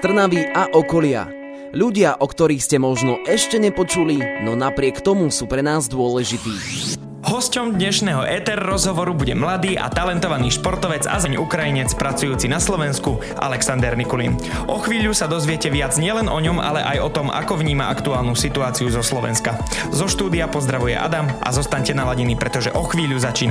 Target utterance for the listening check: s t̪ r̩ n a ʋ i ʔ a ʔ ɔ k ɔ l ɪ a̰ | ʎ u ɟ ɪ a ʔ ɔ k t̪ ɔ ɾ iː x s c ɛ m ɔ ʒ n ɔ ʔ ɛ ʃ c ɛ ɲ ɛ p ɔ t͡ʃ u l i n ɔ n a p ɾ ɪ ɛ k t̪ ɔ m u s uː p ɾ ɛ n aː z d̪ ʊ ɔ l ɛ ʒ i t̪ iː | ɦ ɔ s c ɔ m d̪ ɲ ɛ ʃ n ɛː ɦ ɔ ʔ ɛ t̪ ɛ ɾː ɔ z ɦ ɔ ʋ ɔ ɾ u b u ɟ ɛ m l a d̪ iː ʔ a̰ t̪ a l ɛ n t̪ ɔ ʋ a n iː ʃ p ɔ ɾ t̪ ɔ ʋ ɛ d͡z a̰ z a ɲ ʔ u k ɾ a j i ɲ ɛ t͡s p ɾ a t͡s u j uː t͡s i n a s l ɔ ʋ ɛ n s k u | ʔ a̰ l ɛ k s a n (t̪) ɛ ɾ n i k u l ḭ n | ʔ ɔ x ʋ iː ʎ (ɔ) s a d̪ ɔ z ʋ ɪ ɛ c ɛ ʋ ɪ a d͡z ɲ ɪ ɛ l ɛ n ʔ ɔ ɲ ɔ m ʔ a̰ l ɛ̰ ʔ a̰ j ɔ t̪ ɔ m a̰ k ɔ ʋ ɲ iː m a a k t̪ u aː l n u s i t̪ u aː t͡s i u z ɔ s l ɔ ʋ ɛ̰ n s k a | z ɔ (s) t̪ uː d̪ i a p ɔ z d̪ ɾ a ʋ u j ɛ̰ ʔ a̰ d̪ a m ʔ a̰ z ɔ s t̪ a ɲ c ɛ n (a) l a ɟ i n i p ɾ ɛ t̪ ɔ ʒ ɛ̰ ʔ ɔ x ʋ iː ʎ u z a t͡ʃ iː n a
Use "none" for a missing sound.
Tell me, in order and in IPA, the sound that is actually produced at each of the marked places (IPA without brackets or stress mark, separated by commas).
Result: d̪, u, ʃ, a